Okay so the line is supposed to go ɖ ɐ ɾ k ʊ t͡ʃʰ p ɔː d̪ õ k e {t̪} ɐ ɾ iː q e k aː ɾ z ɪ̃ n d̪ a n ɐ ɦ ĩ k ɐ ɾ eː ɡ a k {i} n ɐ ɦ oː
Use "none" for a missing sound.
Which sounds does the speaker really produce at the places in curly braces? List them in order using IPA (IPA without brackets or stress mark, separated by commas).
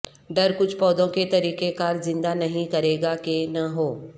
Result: t̪, e